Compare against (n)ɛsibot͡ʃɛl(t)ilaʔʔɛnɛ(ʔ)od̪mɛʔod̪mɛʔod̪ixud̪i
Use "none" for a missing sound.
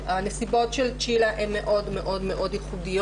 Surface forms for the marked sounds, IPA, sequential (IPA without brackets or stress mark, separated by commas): n, t͡ʃ, ʔ